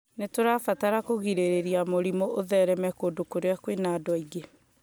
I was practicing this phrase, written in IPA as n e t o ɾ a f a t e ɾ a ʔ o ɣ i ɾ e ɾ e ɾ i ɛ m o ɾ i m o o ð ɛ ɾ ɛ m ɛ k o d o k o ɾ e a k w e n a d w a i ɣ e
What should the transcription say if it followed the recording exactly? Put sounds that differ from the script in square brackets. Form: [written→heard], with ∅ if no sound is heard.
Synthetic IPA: n e t o ɾ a f a t [e→a] ɾ a [ʔ→k] o ɣ i ɾ e ɾ e ɾ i [ɛ→a] m o ɾ i m o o ð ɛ ɾ ɛ m ɛ k o d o k o ɾ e a k w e n a d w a i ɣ e